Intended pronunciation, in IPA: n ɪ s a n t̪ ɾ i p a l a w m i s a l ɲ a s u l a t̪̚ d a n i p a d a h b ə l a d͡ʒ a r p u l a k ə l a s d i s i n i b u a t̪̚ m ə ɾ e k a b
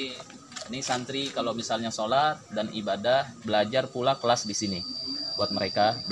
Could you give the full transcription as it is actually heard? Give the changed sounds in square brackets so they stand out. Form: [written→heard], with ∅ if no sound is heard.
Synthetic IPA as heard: n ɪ s a n t̪ ɾ i [p→k] a l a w m i s a l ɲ a s [u→o] l a t̪̚ d a n i [p→b] a d a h b ə l a d͡ʒ a r p u l a k ə l a s d i s i n i b u a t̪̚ m ə ɾ e k a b